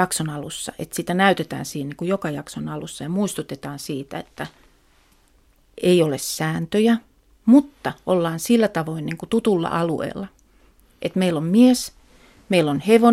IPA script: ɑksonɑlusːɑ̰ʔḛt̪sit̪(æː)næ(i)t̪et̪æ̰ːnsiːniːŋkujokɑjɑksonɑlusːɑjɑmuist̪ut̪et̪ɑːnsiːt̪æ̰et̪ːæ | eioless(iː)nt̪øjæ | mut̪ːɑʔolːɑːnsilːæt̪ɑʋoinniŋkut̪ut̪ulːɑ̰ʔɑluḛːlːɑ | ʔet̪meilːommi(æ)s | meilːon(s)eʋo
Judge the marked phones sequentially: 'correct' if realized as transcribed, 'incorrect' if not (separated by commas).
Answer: incorrect, incorrect, incorrect, incorrect, incorrect